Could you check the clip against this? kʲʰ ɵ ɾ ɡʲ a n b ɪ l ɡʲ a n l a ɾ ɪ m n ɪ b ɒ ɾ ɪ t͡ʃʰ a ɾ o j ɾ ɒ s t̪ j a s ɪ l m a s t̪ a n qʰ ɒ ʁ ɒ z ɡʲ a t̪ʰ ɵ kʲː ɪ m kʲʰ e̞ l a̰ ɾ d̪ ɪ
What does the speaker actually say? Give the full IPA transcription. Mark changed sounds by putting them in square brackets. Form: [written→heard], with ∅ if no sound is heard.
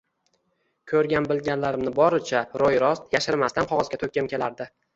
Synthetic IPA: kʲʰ ɵ ɾ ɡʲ a n b ɪ l ɡʲ a n l a ɾ ɪ m n ɪ b ɒ ɾ ɪ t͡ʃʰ a ɾ o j ɾ ɒ s t̪ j a [s→ʃ] ɪ [l→ɾ] m a s t̪ a n qʰ ɒ ʁ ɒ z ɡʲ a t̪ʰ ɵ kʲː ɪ m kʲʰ e̞ l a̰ ɾ d̪ ɪ